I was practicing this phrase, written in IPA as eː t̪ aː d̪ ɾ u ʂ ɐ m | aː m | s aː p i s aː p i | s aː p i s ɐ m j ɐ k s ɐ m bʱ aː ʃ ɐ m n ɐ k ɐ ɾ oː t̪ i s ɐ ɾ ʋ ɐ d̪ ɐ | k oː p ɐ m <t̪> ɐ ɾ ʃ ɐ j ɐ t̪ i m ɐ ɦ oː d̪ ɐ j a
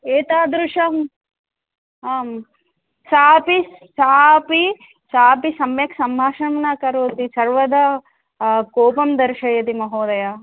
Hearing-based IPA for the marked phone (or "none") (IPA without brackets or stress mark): d̪